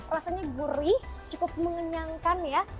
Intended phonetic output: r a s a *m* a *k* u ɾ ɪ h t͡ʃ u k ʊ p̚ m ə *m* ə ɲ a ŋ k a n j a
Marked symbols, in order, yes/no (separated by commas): no, no, no